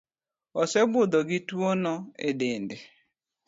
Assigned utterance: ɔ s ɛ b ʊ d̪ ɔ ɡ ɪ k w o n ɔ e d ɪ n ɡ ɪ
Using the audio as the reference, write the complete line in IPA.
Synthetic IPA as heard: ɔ s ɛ b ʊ d̪ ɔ ɡ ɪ t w o n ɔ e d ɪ n d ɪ